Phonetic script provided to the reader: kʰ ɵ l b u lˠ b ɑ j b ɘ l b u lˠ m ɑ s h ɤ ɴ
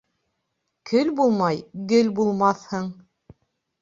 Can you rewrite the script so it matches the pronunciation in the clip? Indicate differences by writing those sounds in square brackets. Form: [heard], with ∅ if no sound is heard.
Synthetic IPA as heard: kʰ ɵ l b u lˠ [m] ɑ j [ɡ] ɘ l b u lˠ m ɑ [θ] h ɤ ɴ